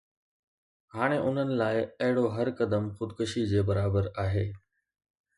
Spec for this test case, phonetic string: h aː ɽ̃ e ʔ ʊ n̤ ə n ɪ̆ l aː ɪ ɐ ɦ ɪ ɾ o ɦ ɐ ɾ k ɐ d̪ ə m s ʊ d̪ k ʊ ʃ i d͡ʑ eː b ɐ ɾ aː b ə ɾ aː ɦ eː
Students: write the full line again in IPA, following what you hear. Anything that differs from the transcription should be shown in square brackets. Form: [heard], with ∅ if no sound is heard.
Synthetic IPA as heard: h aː ɽ̃ e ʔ ʊ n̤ ə n ɪ̆ l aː ɪ ɐ ɦ ɪ [ɽ] o ɦ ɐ ɾ k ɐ d̪ ə m [x] ʊ d̪ k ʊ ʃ i d͡ʑ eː b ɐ ɾ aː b ə ɾ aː ɦ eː